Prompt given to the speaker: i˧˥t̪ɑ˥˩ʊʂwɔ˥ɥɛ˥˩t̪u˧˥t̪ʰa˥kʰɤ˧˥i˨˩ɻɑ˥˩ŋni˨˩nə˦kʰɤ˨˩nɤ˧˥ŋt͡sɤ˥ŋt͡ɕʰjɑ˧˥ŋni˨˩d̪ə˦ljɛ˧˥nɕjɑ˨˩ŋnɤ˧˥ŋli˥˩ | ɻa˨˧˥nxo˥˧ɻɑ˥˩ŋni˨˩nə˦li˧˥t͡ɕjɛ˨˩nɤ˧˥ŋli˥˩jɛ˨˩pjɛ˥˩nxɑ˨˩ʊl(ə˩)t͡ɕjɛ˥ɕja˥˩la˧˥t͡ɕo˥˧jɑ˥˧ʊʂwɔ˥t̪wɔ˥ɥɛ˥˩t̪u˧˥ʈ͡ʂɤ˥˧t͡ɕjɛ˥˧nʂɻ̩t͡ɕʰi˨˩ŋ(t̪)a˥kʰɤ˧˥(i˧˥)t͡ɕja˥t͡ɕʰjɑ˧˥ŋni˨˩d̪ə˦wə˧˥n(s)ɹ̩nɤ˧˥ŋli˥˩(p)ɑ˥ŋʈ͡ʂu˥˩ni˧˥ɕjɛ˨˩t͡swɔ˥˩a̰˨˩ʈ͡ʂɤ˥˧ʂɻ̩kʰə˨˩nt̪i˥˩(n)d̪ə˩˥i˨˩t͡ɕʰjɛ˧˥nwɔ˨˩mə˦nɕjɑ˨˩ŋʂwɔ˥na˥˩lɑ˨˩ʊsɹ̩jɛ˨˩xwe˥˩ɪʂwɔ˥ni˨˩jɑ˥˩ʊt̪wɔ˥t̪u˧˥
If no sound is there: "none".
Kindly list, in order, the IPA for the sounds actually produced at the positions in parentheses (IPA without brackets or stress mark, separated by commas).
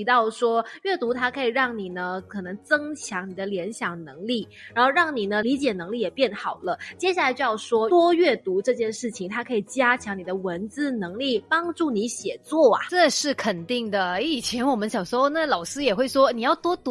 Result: ə˦, t̪ʰ, i˨˩, t͡s, p, ŋ